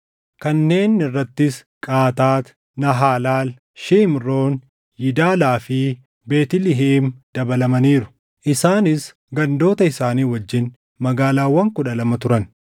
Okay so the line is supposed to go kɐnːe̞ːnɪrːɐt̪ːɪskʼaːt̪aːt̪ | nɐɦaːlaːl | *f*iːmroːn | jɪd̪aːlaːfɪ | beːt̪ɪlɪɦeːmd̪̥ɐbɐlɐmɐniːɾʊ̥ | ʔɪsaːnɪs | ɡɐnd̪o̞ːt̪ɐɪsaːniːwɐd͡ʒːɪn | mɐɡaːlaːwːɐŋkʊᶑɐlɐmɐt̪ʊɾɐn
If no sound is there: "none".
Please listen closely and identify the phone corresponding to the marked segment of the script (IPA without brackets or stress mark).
ʃ